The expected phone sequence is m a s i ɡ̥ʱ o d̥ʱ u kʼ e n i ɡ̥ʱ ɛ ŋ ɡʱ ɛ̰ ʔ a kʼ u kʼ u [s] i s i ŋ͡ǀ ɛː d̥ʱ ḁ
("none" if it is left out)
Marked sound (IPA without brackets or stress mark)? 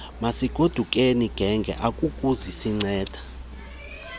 z